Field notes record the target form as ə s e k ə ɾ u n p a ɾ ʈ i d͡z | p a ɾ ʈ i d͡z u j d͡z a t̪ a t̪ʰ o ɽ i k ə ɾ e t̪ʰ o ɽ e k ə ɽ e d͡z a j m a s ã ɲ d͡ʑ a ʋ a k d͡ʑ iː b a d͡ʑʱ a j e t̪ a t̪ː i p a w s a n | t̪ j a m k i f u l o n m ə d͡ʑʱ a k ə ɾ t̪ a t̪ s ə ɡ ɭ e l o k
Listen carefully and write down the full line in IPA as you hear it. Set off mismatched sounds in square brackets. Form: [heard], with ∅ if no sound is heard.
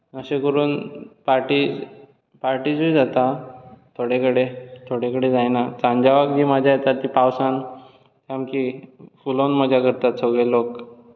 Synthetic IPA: ə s e k ə ɾ [uː] n p a ɾ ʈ i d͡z | p a ɾ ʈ i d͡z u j d͡z a t̪ a t̪ʰ o ɽ [e] k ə [ɽ] e t̪ʰ o ɽ e k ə ɽ e d͡z a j [n] a [t͡s] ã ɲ d͡ʑ a ʋ a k d͡ʑ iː [m] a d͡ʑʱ a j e t̪ a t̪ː i p a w s a n | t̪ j a m k i f u l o n m ə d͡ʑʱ a k ə ɾ t̪ a t̪ s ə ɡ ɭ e l o k